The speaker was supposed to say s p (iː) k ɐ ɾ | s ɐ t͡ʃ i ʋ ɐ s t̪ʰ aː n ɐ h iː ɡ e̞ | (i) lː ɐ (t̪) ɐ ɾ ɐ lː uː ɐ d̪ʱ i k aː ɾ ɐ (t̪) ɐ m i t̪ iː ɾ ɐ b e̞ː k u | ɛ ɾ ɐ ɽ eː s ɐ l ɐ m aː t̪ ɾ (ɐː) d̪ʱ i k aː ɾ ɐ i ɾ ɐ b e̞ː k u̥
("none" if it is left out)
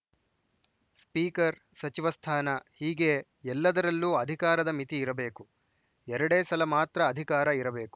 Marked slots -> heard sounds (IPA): iː, ɛ, d̪, d̪, ɐː

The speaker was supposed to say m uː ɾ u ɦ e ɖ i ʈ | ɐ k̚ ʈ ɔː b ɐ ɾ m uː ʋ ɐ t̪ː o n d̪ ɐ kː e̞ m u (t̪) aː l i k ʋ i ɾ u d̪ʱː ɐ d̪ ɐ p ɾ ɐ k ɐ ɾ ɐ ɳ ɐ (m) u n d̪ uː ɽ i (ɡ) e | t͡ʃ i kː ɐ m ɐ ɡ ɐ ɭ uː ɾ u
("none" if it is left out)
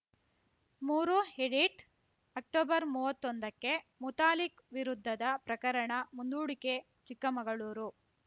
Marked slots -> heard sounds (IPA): t̪, m, k

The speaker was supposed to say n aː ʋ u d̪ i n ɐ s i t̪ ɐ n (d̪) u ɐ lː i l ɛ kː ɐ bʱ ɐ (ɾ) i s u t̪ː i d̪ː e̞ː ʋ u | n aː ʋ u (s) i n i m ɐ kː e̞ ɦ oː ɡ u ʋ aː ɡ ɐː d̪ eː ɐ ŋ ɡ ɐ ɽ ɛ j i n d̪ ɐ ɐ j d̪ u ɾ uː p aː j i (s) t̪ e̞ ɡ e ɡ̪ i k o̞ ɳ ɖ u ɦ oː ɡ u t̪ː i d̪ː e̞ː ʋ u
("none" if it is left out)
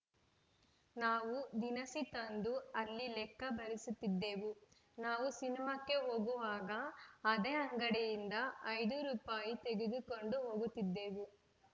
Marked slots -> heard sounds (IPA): d̪, ɾ, s, none

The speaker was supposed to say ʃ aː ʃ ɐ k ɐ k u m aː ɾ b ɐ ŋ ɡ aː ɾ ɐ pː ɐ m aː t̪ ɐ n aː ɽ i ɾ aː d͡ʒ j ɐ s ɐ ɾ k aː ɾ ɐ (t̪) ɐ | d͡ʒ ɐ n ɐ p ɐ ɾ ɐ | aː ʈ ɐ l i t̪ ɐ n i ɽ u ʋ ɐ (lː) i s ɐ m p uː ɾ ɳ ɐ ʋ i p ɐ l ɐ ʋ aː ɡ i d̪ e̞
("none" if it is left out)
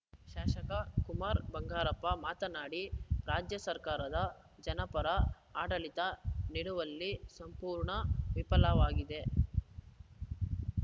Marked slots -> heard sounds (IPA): d̪, lː

